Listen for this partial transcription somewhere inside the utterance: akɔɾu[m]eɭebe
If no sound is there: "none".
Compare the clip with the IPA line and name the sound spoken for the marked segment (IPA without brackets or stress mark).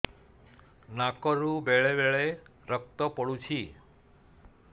b